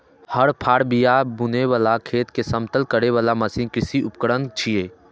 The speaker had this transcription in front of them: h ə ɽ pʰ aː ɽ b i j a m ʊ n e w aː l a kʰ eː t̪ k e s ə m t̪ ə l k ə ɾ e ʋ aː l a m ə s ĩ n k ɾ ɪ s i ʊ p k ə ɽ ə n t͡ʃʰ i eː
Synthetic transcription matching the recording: h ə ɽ pʰ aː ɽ b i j a b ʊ n e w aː l a kʰ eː t̪ k e s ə m t̪ ə l k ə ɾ e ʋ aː l a m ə s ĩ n k ɾ ɪ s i ʊ p k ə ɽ ə n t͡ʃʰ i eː